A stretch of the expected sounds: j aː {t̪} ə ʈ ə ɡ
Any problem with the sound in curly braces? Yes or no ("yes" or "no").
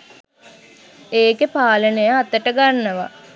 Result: no